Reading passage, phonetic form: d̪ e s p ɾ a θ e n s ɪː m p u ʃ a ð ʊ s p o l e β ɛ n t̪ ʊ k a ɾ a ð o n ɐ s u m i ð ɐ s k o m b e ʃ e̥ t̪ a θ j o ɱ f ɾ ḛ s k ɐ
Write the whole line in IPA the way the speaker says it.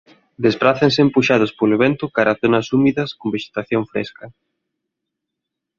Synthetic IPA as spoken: d̪ e s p ɾ a θ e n s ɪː m p u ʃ a ð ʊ s p o l e β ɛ n t̪ ʊ k a ɾ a θ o n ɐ s u m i ð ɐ s k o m b e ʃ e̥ t̪ a θ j o ɱ f ɾ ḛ s k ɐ